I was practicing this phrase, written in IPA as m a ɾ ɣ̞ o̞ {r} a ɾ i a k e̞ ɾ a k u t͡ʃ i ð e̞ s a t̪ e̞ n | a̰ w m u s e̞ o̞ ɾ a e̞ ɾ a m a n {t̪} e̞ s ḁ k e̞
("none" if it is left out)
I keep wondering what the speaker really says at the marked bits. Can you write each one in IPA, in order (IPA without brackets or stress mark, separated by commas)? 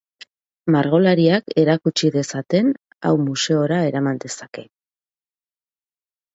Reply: l, d̪